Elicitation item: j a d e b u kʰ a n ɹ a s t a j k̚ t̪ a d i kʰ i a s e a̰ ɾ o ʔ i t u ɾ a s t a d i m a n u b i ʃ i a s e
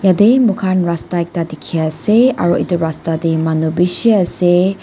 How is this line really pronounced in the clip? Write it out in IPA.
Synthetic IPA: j a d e m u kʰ a n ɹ a s t a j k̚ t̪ a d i kʰ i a s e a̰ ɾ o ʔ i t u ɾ a s t a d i m a n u b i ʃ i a s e